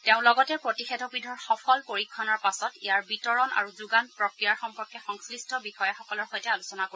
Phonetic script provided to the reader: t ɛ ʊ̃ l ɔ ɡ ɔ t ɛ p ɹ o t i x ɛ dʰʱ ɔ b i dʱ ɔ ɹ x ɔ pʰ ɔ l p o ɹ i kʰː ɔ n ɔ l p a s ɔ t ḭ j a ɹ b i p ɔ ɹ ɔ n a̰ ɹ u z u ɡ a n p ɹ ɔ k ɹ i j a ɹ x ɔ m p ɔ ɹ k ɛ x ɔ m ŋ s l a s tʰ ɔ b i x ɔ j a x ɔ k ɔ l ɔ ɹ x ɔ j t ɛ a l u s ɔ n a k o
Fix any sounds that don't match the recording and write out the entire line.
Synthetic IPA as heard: t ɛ ʊ̃ l ɔ ɡ ɔ t ɛ p ɹ o t i x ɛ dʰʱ ɔ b i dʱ ɔ ɹ x ɔ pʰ ɔ l p o ɹ i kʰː ɔ n ɔ ɹ p a s ɔ t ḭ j a ɹ b i t ɔ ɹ ɔ n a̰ ɹ u z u ɡ a n p ɹ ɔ k ɹ i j a ɹ x ɔ m p ɔ ɹ k ɛ x ɔ ŋ s l i s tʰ ɔ b i x ɔ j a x ɔ k ɔ l ɔ ɹ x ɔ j t ɛ a l u s ɔ n a k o